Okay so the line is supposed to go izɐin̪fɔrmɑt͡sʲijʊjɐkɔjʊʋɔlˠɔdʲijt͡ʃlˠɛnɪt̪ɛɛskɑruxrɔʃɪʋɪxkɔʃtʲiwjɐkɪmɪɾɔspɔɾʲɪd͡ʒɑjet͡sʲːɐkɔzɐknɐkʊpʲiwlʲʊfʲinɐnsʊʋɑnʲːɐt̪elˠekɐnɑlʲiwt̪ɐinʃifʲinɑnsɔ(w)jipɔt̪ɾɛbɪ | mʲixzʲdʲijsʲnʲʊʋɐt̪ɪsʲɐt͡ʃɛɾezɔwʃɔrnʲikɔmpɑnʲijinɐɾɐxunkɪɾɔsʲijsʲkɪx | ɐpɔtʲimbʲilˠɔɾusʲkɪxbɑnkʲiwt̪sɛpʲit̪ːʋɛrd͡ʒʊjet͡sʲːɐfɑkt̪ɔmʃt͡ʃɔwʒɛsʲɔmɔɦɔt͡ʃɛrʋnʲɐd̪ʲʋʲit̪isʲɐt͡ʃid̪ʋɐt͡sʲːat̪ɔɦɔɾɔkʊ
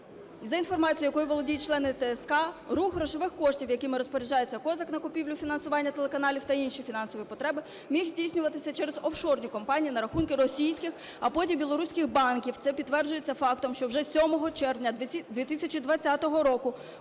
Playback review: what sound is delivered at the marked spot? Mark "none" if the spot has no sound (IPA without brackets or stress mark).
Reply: ʋ